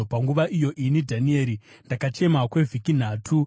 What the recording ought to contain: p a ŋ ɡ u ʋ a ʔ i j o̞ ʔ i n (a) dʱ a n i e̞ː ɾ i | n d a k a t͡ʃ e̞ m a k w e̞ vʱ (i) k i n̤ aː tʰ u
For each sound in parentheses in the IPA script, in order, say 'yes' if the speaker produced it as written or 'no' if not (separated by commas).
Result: no, yes